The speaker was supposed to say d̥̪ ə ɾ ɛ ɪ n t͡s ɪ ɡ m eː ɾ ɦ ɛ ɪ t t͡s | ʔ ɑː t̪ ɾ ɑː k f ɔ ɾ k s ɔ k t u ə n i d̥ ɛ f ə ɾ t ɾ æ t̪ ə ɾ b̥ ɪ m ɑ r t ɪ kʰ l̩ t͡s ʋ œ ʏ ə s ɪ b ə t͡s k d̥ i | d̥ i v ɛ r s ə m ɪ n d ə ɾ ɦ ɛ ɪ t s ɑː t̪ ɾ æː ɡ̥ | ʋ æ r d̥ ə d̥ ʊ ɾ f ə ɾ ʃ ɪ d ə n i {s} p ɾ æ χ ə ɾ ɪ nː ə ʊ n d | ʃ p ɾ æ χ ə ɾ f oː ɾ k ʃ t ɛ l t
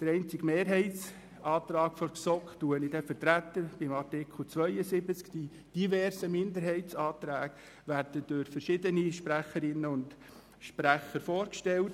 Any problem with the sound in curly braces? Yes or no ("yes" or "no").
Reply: yes